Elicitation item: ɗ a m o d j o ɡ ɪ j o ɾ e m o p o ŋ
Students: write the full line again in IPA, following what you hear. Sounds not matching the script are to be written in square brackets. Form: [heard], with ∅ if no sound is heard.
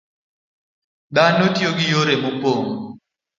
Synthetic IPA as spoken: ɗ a [n] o [t] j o ɡ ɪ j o ɾ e m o p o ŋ